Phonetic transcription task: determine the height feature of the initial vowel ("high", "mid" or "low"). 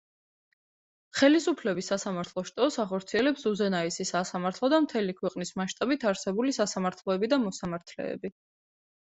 mid